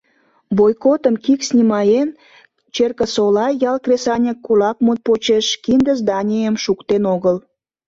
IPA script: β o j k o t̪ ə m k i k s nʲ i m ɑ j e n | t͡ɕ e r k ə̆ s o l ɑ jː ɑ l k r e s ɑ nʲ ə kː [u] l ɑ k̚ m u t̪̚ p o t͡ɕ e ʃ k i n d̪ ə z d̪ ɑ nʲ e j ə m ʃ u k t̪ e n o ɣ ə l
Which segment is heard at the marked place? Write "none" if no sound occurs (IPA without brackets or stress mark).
u